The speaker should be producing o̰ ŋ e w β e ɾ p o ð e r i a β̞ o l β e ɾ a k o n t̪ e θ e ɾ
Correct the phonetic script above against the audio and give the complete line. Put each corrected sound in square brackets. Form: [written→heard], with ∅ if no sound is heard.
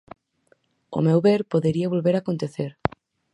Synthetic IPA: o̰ [ŋ→m] e w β e ɾ p o ð e [r→ɾ] i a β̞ o l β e ɾ a k o n t̪ e θ e ɾ